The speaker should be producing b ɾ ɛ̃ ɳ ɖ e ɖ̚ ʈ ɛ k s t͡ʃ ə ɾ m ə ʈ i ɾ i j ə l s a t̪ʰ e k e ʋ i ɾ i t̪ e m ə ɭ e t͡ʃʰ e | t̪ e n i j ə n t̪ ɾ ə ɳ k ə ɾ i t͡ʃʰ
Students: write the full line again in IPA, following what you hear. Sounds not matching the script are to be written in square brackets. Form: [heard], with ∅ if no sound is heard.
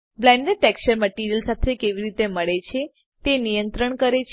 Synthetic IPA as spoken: b [l] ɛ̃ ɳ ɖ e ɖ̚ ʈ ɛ k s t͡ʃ ə ɾ m ə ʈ i ɾ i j ə l s a t̪ʰ e k e ʋ i ɾ i t̪ e m ə ɭ e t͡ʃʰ e | t̪ e n i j ə n t̪ ɾ ə ɳ k ə ɾ [e] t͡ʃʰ